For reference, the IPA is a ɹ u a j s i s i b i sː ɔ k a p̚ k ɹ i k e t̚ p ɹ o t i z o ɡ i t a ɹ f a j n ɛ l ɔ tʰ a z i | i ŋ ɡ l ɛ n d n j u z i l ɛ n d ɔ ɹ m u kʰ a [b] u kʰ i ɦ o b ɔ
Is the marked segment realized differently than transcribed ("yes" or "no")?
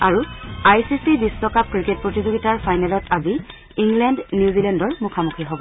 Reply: yes